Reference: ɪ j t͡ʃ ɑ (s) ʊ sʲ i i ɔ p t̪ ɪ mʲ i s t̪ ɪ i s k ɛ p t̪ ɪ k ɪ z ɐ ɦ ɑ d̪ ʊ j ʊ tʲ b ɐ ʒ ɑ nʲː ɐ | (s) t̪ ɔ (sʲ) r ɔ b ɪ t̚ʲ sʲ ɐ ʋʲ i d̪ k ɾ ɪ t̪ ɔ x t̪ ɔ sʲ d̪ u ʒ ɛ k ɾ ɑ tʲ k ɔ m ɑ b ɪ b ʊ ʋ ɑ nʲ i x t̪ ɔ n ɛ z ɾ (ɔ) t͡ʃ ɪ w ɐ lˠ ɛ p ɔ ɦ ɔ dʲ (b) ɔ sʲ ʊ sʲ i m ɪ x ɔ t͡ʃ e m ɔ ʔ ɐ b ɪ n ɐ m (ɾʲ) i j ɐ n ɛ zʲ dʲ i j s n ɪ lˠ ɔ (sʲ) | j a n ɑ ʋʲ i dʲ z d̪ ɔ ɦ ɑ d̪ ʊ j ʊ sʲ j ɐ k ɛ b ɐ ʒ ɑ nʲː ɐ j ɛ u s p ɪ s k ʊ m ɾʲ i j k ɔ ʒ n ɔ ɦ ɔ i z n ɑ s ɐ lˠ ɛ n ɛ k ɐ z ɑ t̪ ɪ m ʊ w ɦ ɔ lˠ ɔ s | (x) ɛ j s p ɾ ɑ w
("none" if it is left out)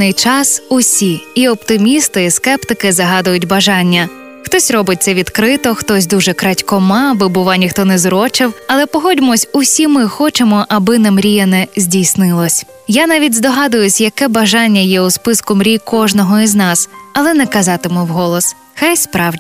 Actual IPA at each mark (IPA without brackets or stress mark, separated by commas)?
s, x, sʲ, ɔ, m, ɾʲ, sʲ, x